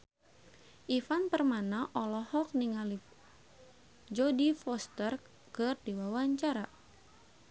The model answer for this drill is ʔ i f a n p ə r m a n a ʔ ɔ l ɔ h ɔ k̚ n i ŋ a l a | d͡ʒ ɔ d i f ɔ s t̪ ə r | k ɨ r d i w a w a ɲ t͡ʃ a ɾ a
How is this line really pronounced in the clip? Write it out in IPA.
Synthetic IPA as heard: ʔ i f a n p ə r m a n a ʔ ɔ l ɔ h ɔ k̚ n i ŋ a l i | d͡ʒ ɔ d i f ɔ s t̪ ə r | k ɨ r d i w a w a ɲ t͡ʃ a ɾ a

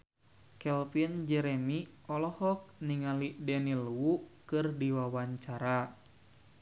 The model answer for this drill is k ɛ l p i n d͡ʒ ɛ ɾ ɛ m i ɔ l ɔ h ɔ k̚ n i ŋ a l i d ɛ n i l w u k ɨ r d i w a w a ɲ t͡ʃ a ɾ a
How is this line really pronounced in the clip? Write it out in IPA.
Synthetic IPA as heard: k ɛ l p i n d͡ʒ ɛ ɾ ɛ m i ɔ l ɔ h ɔ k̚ n i ŋ a l i d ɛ n i l w u k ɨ r d i w a w a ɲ t͡ʃ a ɾ a

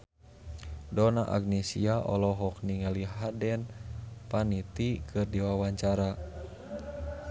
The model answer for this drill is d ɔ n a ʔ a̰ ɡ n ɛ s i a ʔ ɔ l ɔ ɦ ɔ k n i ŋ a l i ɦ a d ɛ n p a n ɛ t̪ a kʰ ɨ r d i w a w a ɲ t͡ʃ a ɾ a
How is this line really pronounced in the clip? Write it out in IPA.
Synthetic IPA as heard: d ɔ n a ʔ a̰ ɡ n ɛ s i a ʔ ɔ l ɔ ɦ ɔ k n i ŋ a l i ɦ a d ɛ n p a n i t̪ i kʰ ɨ r d i w a w a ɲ t͡ʃ a ɾ a

